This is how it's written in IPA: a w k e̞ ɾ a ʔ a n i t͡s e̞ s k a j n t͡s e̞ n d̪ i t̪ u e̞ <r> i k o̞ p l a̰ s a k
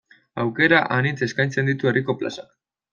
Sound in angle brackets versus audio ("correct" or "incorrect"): correct